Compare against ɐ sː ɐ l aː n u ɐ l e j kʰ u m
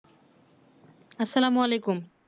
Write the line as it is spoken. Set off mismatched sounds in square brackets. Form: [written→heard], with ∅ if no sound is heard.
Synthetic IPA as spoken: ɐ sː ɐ l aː [n→m] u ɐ l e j [kʰ→k] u m